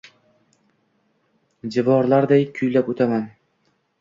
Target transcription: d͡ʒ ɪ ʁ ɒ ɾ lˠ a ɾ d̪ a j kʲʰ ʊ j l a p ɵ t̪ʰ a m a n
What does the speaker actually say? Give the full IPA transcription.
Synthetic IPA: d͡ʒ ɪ v ɒ ɾ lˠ a ɾ d̪ a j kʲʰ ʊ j l a p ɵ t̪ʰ a m a n